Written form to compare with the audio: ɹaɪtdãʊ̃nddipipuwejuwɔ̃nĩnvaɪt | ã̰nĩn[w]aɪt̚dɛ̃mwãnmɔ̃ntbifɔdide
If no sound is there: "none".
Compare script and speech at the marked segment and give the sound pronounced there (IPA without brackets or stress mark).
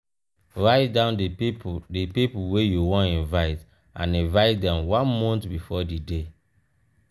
v